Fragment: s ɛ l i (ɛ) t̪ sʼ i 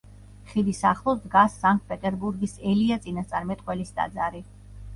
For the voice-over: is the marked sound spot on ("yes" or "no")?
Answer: no